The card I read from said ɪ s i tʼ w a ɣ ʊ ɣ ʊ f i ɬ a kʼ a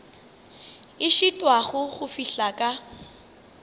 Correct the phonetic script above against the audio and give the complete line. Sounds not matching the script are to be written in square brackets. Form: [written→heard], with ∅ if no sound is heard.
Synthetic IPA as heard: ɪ [s→ʃ] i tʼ w a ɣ ʊ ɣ ʊ f i ɬ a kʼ a